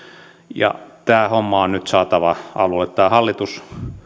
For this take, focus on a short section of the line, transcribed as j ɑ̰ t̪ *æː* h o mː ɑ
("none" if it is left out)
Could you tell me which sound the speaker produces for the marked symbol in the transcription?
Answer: æː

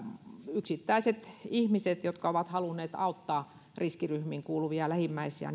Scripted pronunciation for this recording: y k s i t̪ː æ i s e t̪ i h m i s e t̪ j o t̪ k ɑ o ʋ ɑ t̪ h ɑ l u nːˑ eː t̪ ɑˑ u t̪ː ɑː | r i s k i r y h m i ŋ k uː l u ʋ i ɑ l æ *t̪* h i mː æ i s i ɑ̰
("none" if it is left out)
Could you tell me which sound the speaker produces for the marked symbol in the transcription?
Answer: none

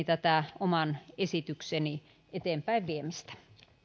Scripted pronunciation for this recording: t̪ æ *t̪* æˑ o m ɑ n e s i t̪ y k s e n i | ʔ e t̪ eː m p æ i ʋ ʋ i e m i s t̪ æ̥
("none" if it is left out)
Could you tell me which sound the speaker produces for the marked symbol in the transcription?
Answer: t̪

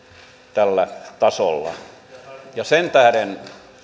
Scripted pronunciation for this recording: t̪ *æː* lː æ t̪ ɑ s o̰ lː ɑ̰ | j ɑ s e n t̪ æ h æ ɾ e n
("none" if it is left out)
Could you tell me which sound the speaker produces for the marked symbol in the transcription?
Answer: æ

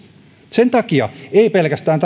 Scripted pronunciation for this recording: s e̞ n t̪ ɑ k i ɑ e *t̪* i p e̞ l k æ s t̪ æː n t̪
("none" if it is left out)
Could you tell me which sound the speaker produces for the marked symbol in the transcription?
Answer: none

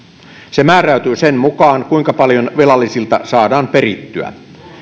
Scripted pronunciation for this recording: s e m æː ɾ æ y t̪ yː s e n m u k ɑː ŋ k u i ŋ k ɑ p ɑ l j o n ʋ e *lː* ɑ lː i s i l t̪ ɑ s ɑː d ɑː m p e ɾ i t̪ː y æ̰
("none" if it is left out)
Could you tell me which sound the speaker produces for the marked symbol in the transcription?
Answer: l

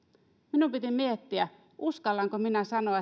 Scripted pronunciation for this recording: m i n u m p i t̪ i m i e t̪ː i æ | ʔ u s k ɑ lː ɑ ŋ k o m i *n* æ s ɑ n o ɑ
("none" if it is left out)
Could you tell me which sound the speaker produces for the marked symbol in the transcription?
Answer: n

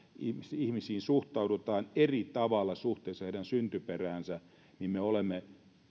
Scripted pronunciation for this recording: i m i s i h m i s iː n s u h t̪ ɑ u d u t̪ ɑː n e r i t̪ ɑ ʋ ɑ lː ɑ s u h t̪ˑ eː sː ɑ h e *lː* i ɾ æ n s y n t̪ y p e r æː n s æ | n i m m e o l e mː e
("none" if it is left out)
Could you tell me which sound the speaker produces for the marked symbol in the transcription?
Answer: none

